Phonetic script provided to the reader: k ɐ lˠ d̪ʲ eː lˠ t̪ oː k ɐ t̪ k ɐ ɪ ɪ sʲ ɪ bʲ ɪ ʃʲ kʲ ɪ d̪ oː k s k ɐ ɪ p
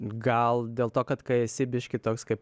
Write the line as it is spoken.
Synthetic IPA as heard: ɡ ɐ lˠ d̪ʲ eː lˠ t̪ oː k ɐ t̪ k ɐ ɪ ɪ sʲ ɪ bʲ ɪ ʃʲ kʲ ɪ t̪ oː k s k ɐ ɪ p